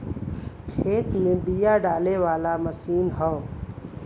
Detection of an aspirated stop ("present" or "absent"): present